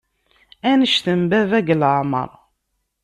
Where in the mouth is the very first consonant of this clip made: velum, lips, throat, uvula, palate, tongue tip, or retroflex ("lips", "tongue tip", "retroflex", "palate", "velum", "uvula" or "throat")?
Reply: tongue tip